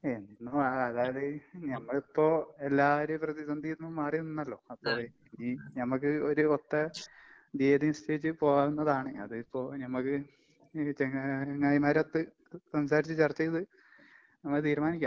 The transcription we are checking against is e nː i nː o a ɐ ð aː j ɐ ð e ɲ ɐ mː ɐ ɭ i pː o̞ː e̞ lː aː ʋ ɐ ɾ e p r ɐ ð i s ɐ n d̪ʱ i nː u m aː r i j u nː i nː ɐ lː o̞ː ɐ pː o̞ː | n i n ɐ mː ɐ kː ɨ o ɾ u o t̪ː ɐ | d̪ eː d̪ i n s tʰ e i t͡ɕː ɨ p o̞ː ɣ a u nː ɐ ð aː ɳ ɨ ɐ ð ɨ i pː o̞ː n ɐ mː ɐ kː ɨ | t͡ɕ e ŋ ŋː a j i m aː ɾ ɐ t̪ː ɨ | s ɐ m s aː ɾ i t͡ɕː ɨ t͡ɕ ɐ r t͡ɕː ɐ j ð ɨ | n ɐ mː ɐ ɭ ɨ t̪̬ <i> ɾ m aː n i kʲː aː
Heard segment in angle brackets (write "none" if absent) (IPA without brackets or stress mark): iː